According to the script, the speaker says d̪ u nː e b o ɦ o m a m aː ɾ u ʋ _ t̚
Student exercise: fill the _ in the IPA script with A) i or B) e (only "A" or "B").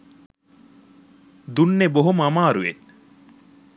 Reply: B